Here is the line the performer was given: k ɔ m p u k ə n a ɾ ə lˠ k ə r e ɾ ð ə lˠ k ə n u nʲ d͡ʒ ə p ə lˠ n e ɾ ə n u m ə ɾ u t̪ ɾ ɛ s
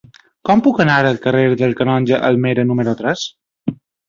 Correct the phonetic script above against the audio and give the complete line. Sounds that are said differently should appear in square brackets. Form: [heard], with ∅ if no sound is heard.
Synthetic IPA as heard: k ɔ m p u k ə n a ɾ ə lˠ k ə r e ɾ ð ə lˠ k ə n [ɔ] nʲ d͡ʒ ə [ʔ] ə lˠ [m] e ɾ ə n u m ə ɾ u t̪ ɾ ɛ s